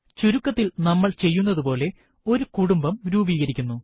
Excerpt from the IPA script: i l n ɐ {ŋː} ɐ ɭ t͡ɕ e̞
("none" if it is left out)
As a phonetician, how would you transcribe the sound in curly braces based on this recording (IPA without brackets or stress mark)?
mː